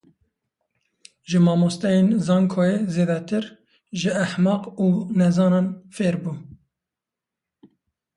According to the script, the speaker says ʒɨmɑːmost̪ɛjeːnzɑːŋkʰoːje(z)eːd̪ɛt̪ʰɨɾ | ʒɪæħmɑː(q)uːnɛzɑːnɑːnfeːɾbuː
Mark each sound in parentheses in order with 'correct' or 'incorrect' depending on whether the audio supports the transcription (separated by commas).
correct, correct